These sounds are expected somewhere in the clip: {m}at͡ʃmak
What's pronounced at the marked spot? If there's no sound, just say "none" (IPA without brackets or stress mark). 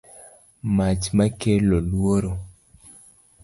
m